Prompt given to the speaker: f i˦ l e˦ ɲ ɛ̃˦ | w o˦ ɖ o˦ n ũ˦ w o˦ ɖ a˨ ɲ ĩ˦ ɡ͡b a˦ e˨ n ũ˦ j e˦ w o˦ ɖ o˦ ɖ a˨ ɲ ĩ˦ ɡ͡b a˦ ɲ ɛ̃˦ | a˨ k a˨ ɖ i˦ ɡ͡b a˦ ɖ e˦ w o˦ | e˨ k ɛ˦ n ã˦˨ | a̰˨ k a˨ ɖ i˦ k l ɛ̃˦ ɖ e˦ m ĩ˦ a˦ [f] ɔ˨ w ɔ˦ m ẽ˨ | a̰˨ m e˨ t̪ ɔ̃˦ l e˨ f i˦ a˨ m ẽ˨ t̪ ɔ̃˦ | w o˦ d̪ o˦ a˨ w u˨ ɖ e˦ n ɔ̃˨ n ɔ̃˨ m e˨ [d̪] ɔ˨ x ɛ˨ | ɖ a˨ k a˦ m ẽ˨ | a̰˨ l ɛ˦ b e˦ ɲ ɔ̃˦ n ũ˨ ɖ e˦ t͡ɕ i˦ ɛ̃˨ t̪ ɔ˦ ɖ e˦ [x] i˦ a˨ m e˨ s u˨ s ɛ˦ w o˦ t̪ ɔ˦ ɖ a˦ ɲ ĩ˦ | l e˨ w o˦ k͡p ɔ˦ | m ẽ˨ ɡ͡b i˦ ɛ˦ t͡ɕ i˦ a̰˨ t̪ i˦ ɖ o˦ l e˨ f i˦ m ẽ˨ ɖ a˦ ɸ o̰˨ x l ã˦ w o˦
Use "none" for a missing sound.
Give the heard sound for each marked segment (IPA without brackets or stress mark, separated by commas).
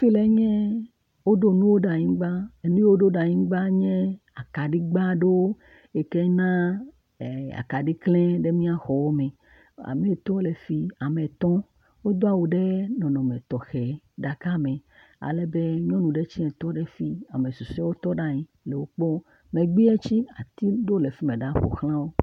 x, t̪, f